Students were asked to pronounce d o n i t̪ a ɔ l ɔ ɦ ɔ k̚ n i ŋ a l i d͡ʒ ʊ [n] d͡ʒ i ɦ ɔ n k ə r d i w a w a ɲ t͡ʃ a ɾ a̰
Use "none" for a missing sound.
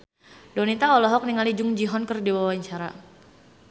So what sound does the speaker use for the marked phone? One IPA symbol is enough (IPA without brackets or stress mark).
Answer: ŋ